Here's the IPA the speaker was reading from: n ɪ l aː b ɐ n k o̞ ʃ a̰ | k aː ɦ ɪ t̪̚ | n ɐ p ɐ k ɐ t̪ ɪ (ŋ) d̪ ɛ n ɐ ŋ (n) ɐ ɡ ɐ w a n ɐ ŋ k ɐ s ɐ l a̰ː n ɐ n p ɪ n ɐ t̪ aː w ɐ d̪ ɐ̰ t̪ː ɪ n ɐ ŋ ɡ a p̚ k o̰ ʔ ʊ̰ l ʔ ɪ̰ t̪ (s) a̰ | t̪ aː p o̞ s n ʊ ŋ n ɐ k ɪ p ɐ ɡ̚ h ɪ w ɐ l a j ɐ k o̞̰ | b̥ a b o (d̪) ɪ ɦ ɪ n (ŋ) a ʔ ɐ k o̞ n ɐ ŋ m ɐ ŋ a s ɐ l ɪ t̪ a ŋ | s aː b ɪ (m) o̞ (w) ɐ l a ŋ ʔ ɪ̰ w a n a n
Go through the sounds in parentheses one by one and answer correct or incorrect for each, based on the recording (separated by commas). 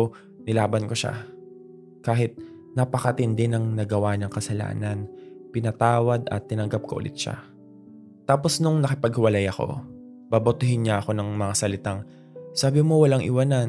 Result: incorrect, correct, incorrect, incorrect, incorrect, correct, correct